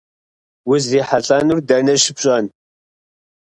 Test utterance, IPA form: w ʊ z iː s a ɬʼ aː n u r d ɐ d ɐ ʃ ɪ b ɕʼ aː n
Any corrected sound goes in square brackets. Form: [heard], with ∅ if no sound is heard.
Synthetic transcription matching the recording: w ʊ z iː [ħ] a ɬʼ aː n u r d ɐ [n] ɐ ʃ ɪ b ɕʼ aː n